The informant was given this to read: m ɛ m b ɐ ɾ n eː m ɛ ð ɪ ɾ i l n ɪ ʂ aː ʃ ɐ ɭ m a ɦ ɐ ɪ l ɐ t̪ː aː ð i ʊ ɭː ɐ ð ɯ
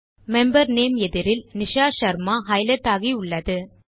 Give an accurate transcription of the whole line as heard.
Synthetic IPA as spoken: m ɛ m b ɐ ɾ n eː m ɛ ð ɪ ɾ ɪ l n ɪ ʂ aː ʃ ɐ ɾ m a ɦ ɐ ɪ l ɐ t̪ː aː ɣ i ʊ ɭː ɐ ð ɯ